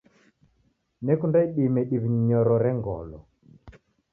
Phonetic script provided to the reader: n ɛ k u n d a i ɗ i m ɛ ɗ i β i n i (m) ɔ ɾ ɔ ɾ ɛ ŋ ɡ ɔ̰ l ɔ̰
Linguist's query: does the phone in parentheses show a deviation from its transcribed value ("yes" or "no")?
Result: yes